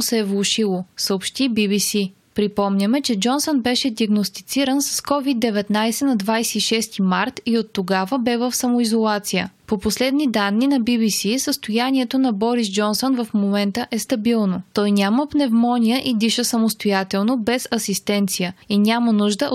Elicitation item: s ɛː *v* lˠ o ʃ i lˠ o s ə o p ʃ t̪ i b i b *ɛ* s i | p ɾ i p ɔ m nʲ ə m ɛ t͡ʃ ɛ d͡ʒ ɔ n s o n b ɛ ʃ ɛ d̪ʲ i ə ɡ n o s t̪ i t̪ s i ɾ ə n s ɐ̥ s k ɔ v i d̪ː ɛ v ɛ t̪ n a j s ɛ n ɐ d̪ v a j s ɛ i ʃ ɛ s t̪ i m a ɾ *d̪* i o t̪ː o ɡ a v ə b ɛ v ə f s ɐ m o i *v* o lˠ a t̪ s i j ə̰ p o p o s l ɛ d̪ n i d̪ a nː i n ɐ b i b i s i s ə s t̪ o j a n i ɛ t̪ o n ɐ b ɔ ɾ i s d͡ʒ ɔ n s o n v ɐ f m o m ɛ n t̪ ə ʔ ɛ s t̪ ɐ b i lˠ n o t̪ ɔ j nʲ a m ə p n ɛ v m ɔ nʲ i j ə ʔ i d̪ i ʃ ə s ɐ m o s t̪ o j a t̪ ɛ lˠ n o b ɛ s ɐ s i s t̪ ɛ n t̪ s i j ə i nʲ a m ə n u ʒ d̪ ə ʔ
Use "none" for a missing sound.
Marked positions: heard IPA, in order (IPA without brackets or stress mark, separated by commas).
v, i, t̪, z